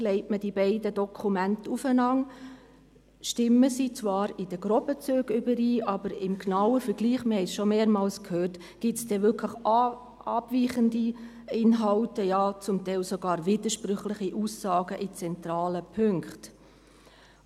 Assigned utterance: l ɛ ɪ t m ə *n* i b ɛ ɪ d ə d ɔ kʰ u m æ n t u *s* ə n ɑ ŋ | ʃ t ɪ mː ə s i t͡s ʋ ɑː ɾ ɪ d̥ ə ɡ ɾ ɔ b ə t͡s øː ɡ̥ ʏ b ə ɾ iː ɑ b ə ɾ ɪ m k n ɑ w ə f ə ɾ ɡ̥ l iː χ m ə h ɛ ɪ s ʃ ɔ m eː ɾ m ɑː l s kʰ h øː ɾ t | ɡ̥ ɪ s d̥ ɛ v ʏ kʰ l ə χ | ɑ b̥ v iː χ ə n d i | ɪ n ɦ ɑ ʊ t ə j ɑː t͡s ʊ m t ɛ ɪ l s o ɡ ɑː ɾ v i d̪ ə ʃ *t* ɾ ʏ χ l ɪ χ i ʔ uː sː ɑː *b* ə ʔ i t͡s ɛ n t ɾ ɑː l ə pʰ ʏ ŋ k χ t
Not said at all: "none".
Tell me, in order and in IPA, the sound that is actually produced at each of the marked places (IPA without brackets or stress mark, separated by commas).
d, f, p, ɡ